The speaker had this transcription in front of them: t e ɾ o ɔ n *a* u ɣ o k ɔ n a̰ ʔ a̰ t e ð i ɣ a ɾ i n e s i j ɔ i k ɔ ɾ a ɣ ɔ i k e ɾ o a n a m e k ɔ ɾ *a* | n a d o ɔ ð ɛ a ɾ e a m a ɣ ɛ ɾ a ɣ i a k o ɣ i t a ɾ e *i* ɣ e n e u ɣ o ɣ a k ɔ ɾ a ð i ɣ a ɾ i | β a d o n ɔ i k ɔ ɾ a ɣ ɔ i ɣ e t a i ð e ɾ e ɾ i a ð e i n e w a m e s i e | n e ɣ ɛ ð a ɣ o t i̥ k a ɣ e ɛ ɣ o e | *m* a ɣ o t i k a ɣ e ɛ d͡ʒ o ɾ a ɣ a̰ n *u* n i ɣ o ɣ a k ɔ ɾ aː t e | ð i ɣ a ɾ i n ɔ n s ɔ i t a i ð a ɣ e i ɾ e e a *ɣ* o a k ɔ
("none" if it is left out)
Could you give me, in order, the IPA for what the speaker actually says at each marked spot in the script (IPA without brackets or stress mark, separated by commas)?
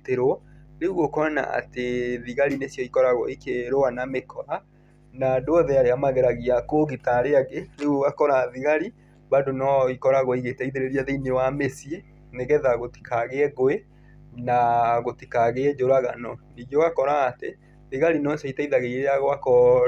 e, a, a, n, ɔ, ɣ